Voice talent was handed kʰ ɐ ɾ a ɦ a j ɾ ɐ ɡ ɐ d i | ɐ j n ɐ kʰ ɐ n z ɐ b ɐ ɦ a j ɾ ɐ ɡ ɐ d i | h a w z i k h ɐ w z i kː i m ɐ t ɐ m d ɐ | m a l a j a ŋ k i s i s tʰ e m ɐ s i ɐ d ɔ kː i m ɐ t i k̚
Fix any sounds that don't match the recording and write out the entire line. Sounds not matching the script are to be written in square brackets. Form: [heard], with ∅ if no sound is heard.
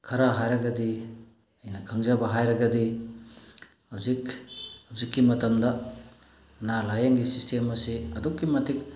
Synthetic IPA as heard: kʰ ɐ ɾ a ɦ a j ɾ ɐ ɡ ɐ d i | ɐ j n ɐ kʰ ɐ [ŋ] z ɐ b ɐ ɦ a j ɾ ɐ ɡ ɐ d i | h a w z i k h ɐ w z i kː i m ɐ t ɐ m d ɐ | [n] a l a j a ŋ [ɡ] i s i s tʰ e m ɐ s i ɐ d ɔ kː i m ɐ t i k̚

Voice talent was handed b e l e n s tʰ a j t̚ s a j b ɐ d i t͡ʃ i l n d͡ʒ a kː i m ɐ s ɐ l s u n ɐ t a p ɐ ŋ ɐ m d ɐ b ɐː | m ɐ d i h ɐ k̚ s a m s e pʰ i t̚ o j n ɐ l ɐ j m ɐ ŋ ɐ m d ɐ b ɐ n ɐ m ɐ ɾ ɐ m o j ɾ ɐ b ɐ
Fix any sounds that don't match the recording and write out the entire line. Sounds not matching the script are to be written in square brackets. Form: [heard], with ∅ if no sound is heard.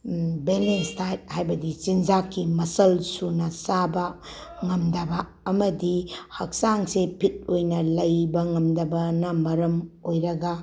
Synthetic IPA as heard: b e l e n s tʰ a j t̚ [h] a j b ɐ d i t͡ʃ i [∅] n d͡ʒ a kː i m ɐ s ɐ l s u n ɐ [s] a [b] ɐ ŋ ɐ m d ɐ b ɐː | m ɐ d i h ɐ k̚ s a [ŋ] s e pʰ i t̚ o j n ɐ l ɐ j [b] ɐ ŋ ɐ m d ɐ b ɐ n ɐ m ɐ ɾ ɐ m o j ɾ ɐ [ɡ] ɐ

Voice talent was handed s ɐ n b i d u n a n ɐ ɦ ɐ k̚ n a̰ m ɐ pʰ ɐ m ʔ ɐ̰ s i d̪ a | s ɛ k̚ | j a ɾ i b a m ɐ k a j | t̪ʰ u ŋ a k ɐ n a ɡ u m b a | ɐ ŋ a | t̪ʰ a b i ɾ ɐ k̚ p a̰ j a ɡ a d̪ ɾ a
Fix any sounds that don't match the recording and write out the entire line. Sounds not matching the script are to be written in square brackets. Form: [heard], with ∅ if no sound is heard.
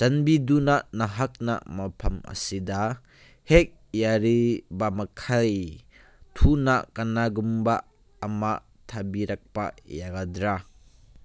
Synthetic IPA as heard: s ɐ n b i d u n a n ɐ ɦ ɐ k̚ n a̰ m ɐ pʰ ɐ m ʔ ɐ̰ s i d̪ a | [h] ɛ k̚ | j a ɾ i b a m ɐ [kʰ] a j | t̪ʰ u [n] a k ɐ n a ɡ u m b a | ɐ [m] a | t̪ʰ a b i ɾ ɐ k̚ p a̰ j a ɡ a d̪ ɾ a

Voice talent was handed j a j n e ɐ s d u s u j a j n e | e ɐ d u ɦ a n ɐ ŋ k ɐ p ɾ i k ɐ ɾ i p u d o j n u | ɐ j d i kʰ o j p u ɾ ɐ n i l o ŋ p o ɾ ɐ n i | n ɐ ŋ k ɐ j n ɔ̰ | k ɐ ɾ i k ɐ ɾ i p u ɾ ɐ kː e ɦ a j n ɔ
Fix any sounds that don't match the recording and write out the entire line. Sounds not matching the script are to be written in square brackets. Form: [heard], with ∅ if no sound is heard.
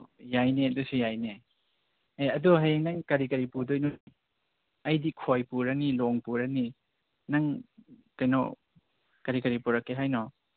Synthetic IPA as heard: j a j n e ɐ [∅] d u s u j a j n e | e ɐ d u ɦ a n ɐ ŋ k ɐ [∅] ɾ i k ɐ ɾ i p u d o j n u | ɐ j d i kʰ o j p u ɾ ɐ n i l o ŋ p [u] ɾ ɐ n i | n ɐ ŋ k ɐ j n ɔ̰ | k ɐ ɾ i k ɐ ɾ i p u ɾ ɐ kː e ɦ a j n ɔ

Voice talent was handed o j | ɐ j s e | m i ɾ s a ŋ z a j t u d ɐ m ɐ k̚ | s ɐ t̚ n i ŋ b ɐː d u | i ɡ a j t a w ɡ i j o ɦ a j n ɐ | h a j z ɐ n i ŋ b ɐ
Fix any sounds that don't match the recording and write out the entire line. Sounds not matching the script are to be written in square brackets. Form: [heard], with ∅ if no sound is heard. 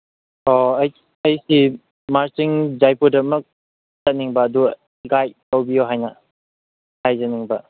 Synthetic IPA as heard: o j | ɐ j s [i] | m [a] ɾ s [i] ŋ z a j [p] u d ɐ m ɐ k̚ | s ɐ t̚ n i ŋ b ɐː d u | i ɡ a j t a w [b] i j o ɦ a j n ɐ | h a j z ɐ n i ŋ b ɐ

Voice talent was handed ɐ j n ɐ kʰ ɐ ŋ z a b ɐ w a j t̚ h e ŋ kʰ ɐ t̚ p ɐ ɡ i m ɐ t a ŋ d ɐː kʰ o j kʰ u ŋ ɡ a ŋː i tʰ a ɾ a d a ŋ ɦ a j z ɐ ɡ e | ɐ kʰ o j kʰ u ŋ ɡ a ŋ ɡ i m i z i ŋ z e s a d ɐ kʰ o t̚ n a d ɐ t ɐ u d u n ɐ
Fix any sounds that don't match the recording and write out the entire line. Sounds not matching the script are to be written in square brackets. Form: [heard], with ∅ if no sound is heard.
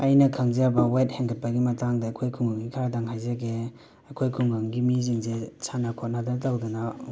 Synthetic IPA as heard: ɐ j n ɐ kʰ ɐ ŋ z a b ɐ w a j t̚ h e ŋ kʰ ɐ t̚ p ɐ ɡ i m ɐ t a ŋ d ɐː kʰ o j kʰ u ŋ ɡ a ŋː i [kʰ] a ɾ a d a ŋ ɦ a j z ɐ ɡ e | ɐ kʰ o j kʰ u ŋ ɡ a ŋ ɡ i m i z i ŋ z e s a [n] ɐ kʰ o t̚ n a d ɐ t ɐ [w] d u n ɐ

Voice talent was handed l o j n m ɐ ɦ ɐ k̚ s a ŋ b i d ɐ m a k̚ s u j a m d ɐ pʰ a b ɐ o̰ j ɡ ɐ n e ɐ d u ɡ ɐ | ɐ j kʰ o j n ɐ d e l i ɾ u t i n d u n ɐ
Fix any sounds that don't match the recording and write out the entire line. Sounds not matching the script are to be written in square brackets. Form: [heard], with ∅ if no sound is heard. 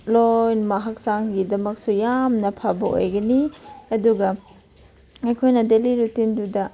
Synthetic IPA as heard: l o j n m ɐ ɦ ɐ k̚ s a ŋ [ɡ] i d ɐ m [ɐ] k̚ s u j a m [n] ɐ pʰ a b ɐ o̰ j ɡ ɐ n [i] ɐ d u ɡ ɐ | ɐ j kʰ o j n ɐ d e l i ɾ u t i n d u [d] ɐ

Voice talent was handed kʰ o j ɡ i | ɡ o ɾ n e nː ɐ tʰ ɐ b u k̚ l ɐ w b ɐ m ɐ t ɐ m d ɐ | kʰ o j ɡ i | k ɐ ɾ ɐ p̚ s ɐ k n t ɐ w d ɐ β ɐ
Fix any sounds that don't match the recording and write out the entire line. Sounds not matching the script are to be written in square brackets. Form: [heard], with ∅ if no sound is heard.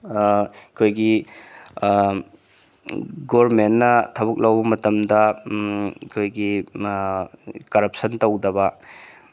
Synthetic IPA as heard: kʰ o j ɡ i | ɡ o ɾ [m] e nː ɐ tʰ ɐ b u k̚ l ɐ w b ɐ m ɐ t ɐ m d ɐ | kʰ o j ɡ i | k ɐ ɾ ɐ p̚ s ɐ [∅] n t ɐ w d ɐ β ɐ

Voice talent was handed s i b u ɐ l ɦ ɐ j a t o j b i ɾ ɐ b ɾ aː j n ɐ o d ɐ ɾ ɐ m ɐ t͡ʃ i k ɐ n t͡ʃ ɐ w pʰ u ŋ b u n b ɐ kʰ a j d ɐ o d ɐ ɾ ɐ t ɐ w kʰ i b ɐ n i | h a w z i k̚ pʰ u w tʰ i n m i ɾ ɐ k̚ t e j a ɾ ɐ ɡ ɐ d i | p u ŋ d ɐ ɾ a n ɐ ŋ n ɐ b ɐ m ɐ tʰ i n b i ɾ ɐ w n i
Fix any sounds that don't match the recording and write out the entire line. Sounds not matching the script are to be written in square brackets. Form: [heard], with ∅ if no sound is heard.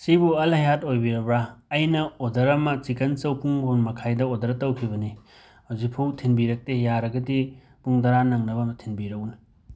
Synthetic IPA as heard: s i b u ɐ l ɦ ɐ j a t o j b i ɾ ɐ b ɾ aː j n ɐ o d ɐ ɾ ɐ m ɐ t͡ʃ i k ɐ n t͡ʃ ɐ w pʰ u ŋ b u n [m] ɐ kʰ a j d ɐ o d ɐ ɾ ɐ t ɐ w kʰ i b ɐ n i | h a w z i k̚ pʰ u w tʰ i n [b] i ɾ ɐ k̚ t e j a ɾ ɐ ɡ ɐ d i | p u ŋ d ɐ ɾ a n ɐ ŋ n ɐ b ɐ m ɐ tʰ i n b i ɾ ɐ w n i

